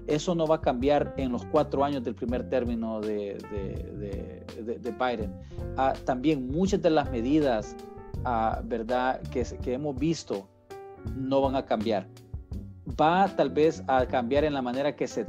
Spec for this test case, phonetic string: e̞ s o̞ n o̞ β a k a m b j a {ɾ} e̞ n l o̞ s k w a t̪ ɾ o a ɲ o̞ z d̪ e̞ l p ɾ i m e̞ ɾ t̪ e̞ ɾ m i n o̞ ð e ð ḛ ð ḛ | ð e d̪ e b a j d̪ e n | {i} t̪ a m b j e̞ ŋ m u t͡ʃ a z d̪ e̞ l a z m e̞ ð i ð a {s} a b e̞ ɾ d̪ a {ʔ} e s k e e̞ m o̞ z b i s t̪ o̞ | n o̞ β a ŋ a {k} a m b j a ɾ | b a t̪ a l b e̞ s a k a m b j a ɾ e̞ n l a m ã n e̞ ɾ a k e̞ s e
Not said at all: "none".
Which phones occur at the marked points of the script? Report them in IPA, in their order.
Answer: ɾ, a, s, k, k

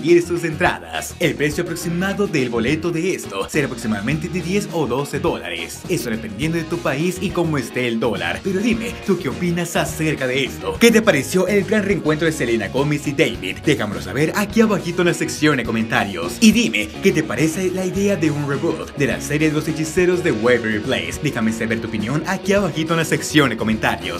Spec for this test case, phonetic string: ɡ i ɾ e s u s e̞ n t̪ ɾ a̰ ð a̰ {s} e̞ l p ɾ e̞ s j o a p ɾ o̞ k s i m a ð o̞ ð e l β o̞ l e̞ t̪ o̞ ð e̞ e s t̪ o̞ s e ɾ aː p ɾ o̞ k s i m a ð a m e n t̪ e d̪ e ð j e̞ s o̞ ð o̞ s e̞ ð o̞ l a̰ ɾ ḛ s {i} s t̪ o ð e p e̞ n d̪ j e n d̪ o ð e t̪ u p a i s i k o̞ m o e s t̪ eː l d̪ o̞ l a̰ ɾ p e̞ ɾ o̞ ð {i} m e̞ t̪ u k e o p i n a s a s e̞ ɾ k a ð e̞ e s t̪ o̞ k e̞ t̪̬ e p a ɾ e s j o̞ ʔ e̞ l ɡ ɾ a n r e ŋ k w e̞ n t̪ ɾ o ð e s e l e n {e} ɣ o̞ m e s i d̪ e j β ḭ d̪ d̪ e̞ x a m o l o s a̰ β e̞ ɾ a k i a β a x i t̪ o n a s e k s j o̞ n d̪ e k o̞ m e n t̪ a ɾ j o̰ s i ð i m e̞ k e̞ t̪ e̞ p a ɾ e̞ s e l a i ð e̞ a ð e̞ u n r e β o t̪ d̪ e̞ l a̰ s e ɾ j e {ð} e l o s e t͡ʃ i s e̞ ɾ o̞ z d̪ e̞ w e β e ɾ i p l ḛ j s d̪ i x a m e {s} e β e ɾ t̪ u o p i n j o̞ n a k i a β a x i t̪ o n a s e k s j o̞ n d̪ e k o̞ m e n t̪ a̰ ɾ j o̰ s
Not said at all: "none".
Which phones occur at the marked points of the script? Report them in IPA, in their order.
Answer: s, e, i, a, ð, s

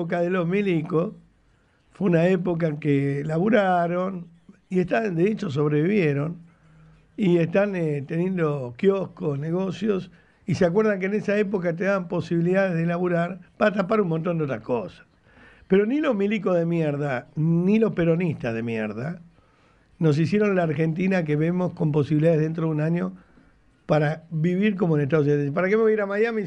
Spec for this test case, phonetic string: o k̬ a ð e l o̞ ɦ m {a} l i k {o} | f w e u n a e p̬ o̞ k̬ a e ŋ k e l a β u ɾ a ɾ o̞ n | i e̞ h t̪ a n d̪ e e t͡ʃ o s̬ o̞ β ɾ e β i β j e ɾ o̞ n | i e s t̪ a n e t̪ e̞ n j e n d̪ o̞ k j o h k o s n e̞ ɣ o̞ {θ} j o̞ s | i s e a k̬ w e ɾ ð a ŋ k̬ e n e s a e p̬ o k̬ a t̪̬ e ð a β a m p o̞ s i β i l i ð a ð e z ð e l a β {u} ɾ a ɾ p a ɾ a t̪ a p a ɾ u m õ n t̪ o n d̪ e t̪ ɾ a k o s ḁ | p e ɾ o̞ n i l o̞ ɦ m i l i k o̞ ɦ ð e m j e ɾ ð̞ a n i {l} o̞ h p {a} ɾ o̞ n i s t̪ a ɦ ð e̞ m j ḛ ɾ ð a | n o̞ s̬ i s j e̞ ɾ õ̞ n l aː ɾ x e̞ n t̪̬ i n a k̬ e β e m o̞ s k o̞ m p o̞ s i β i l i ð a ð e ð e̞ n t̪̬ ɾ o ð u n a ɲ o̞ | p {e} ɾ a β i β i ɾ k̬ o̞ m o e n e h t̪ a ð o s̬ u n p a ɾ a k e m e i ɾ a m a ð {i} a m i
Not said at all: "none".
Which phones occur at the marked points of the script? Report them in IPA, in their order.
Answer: i, o, s, u, l, e, a, j

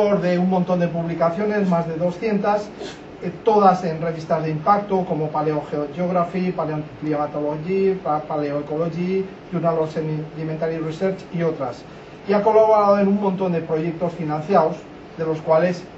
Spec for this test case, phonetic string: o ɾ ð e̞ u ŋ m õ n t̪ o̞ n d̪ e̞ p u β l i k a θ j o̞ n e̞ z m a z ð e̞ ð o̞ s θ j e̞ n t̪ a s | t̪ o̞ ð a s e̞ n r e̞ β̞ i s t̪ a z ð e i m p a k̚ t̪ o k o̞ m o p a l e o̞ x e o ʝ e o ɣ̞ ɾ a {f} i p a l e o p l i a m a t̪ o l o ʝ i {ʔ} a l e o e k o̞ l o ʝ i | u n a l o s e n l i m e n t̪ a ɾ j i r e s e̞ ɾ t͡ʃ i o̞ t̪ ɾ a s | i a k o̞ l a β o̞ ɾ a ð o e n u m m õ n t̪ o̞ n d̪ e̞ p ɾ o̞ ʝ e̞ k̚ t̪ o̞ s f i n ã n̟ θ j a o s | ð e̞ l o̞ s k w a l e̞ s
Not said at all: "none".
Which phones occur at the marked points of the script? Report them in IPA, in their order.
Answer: f, p

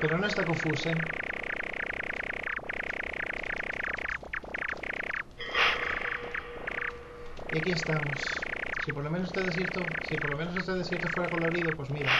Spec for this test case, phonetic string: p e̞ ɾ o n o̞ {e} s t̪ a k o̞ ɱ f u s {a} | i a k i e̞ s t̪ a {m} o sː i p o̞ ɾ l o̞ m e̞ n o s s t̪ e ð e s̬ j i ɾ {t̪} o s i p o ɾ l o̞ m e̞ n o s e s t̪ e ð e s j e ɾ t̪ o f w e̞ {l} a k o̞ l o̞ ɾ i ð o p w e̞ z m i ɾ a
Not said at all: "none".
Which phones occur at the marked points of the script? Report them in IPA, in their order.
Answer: e, e, m, t̪, ɾ

